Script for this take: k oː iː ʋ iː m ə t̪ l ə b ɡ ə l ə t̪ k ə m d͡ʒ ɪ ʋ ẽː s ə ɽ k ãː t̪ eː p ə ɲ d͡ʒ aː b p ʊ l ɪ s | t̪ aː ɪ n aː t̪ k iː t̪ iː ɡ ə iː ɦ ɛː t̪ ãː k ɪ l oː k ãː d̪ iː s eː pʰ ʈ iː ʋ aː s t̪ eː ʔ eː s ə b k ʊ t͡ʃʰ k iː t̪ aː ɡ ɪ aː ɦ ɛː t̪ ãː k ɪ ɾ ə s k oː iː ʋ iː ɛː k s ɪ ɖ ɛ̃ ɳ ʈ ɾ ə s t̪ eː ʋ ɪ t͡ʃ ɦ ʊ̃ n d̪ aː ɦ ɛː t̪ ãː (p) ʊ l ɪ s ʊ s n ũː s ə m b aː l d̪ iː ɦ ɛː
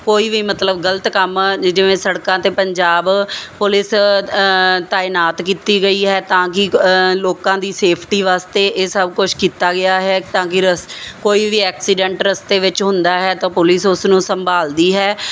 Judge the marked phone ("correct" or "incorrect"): correct